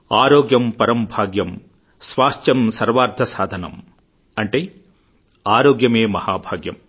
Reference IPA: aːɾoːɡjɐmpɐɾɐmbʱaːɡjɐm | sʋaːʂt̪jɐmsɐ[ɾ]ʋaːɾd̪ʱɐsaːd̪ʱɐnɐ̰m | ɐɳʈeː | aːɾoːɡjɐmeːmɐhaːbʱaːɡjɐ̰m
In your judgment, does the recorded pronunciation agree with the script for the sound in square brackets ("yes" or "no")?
yes